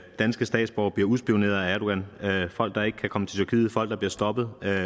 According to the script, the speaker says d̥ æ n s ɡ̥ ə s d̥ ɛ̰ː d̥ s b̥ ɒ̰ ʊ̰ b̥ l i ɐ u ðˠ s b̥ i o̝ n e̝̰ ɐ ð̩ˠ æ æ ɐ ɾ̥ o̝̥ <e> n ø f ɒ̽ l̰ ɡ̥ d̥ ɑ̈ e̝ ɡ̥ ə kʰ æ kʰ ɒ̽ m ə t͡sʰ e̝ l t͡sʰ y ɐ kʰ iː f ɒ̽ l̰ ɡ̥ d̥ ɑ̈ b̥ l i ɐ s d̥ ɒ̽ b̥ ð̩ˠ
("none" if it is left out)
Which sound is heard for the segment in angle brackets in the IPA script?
æ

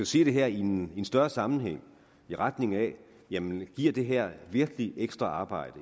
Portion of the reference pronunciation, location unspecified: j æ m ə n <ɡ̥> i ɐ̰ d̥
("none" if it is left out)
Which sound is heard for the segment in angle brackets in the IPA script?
ɡ̥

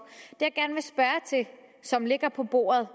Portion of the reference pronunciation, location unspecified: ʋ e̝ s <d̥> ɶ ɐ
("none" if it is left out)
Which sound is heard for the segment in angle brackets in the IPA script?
b̥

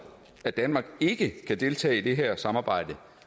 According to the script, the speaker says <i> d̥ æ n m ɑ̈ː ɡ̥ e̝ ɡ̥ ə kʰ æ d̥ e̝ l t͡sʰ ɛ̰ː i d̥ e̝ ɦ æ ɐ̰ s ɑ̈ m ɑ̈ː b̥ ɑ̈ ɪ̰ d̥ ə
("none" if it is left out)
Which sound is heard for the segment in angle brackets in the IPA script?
æ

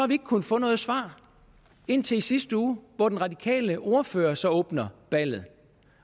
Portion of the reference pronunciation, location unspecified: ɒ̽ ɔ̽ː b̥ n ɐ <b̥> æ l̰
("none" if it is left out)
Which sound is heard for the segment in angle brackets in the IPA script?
b̥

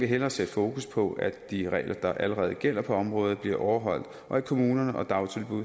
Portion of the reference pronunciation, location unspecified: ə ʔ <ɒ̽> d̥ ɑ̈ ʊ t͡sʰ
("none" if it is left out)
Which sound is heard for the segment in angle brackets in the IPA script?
ɒ̽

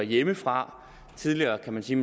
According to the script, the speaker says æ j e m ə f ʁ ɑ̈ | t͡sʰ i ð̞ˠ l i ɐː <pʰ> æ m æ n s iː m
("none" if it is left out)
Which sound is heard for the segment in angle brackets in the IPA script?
kʰ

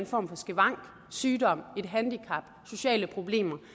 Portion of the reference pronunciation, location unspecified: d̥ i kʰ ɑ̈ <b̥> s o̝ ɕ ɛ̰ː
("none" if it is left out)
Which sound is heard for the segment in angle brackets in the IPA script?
b̥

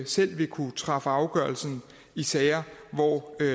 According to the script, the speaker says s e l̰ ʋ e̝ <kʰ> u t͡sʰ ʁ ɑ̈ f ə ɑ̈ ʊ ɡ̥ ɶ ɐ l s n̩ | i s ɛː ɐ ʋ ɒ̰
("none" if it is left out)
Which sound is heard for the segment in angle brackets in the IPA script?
kʰ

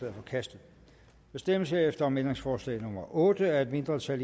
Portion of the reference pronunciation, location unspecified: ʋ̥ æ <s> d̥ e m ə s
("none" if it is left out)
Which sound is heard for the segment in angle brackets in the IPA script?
s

